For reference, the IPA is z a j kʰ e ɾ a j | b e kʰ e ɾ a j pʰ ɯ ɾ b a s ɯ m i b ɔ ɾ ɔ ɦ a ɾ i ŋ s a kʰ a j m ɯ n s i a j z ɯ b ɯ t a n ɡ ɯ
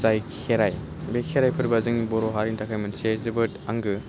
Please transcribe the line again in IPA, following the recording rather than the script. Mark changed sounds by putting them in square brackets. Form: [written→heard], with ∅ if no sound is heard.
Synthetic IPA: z a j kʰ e ɾ a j | b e kʰ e ɾ a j pʰ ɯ ɾ b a [s→z] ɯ [m→ŋ] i b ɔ ɾ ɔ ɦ a ɾ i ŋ [s→t] a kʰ a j m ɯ n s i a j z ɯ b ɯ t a [n→ŋ] ɡ ɯ